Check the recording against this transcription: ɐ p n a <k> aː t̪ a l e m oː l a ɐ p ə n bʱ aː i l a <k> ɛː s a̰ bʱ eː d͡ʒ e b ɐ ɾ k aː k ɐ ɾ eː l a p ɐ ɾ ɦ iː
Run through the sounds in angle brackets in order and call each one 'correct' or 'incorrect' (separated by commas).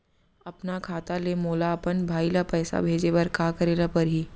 incorrect, incorrect